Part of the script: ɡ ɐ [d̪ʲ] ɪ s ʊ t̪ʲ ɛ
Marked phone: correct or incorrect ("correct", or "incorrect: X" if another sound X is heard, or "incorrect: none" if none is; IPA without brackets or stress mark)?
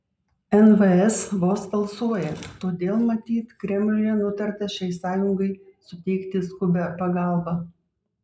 incorrect: none